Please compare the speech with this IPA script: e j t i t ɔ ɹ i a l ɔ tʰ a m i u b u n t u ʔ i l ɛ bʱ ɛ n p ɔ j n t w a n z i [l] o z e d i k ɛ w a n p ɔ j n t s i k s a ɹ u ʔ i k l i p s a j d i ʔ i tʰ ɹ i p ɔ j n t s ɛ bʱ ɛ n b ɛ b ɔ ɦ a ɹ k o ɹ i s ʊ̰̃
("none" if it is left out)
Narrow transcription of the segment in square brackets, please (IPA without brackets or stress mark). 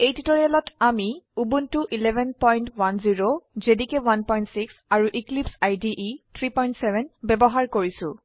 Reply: ɹ